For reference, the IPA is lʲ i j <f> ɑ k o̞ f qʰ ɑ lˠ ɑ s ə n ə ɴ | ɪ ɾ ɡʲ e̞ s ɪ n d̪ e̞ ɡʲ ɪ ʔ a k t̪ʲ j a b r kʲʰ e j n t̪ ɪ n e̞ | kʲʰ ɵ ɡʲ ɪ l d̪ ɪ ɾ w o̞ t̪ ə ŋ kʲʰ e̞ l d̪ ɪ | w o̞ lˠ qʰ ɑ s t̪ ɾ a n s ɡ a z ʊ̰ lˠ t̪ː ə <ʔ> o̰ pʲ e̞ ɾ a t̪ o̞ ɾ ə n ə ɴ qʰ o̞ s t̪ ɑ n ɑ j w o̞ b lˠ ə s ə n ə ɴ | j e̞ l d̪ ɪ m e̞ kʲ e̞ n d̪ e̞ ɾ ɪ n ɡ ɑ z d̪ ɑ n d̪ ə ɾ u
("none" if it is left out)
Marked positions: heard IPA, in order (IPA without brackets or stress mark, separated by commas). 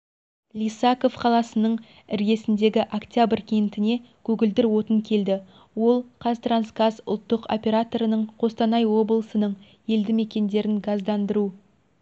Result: s, q